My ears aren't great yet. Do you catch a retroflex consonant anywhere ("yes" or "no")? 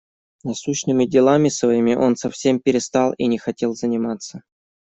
no